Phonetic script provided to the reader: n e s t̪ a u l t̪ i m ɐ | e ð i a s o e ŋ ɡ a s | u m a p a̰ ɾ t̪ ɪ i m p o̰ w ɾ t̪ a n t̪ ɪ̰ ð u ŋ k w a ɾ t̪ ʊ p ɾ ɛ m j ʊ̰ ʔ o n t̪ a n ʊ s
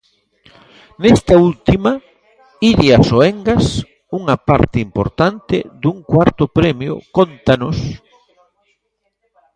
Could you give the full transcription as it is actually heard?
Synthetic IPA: n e s t̪ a u l t̪ i m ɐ | i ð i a s o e ŋ ɡ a s | u ŋ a p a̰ ɾ t̪ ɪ i m p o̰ ɾ t̪ a n t̪ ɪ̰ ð u ŋ k w a ɾ t̪ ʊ p ɾ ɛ m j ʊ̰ k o n t̪ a n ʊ s